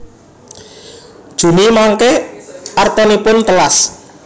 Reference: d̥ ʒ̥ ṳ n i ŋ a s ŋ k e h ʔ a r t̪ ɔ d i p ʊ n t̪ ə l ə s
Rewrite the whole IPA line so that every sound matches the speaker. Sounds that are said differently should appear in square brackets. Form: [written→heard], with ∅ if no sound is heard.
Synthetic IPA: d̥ ʒ̥ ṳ n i [ŋ→m] a [s→∅] ŋ k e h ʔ a r t̪ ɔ [d→n] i p ʊ n t̪ ə l [ə→a] s